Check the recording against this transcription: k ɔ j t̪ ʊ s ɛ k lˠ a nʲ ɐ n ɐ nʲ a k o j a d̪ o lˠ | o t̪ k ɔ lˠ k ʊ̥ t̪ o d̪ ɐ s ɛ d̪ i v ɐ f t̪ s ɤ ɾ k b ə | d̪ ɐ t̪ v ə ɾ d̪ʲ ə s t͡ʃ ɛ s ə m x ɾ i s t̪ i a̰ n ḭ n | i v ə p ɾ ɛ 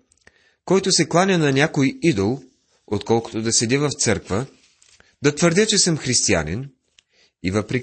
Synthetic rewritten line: k ɔ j t̪ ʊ s ɛ k lˠ a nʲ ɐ n ɐ nʲ a k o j i d̪ o lˠ | o t̪ k ɔ lˠ k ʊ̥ t̪ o d̪ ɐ s ɛ d̪ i v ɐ f t̪ s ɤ ɾ k v ə | d̪ ɐ t̪ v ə ɾ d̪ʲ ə t͡ʃ ɛ s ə m x ɾ i s t̪ i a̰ n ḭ n | i v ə p ɾ ɛ